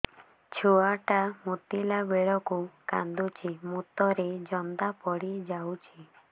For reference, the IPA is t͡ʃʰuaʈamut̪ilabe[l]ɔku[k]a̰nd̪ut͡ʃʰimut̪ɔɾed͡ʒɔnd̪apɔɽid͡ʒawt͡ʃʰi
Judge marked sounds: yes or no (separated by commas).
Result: no, yes